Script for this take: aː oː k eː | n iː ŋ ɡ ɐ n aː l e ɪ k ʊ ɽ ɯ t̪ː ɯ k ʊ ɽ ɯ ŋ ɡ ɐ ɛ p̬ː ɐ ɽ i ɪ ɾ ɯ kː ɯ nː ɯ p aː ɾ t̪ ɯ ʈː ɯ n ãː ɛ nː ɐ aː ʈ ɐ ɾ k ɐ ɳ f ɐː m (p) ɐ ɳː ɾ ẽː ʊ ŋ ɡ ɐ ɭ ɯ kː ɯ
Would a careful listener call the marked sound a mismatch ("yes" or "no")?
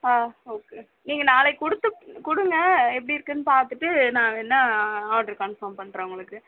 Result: no